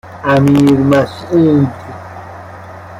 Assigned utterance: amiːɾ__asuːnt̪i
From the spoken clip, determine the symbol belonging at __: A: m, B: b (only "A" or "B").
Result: A